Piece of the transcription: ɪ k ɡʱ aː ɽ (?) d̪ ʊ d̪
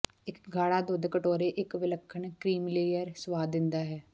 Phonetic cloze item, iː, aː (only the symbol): aː